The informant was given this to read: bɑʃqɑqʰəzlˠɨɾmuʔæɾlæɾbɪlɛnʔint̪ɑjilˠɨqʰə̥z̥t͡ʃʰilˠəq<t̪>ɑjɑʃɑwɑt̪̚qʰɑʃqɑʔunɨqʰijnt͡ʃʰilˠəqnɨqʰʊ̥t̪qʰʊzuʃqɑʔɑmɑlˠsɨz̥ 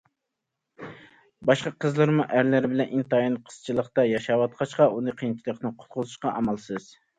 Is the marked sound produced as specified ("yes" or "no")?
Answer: yes